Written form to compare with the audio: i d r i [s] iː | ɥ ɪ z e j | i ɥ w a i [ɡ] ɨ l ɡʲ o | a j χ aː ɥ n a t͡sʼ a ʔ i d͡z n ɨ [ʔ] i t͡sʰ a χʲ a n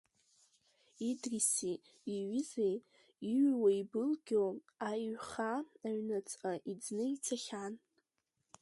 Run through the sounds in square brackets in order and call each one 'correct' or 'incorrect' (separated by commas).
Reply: correct, incorrect, incorrect